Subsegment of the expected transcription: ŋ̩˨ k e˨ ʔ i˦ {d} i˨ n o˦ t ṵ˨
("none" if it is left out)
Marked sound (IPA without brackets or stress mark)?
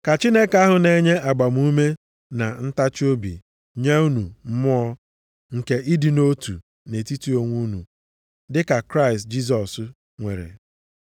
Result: d